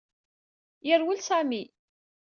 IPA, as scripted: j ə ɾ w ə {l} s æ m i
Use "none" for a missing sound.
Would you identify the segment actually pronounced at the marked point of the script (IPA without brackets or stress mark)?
l